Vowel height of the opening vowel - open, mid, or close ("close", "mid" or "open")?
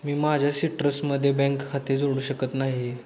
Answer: close